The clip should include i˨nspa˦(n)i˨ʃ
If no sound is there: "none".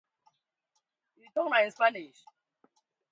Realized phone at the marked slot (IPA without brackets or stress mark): n